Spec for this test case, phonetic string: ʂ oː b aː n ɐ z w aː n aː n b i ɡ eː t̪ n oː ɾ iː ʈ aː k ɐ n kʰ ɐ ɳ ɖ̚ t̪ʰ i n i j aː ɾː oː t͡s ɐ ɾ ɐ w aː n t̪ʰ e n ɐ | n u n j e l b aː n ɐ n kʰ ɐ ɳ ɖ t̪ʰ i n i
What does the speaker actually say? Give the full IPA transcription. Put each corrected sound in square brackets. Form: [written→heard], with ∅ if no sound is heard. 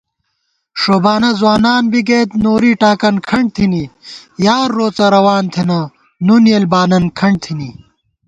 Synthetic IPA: ʂ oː b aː n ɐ z w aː n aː n b i ɡ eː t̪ n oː ɾ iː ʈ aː k ɐ n kʰ ɐ ɳ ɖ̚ t̪ʰ i n i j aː ɾː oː t͡s ɐ ɾ ɐ w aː n t̪ʰ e n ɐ | n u n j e l b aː n ɐ n kʰ ɐ ɳ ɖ t̪ʰ i n i